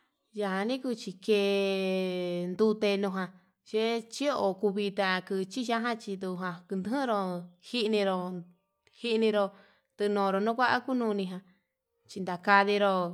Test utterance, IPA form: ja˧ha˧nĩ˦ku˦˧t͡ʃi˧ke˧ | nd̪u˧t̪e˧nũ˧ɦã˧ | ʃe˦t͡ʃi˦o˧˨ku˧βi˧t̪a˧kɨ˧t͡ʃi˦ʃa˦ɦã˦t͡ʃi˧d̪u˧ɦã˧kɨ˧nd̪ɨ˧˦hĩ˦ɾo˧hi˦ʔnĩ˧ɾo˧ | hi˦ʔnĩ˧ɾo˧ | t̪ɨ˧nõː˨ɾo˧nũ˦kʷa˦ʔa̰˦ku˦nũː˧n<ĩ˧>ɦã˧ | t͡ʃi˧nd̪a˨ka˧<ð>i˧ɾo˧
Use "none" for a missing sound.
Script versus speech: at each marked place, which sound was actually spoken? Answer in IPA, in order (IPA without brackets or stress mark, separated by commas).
ĩ˧, ð